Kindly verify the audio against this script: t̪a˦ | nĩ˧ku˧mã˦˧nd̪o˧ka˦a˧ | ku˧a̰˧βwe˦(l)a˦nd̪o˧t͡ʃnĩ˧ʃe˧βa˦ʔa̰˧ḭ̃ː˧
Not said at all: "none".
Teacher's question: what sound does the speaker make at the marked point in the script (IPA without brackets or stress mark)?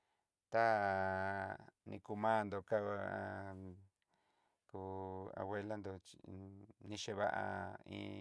l